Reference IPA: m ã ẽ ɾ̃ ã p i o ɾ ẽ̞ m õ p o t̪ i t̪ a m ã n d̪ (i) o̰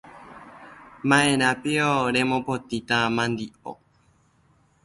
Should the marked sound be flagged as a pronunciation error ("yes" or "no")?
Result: no